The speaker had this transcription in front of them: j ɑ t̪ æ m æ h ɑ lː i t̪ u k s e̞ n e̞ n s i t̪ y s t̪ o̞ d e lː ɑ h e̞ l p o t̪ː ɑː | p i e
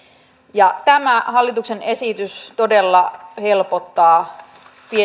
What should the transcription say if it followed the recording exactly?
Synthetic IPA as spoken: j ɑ t̪ æ m æ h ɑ lː i t̪ u k s e̞ n e̞ s i t̪ y s t̪ o̞ d e lː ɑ h e̞ l p o t̪ː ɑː | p i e